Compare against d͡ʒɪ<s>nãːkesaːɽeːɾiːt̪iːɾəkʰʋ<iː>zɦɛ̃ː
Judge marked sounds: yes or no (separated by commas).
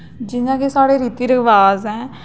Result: no, no